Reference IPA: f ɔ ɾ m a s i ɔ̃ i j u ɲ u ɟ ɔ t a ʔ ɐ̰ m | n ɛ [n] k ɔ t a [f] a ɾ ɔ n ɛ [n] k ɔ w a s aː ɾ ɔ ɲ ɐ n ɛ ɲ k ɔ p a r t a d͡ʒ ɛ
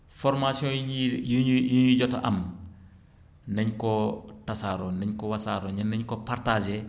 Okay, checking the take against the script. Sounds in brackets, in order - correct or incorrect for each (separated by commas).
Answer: incorrect, incorrect, incorrect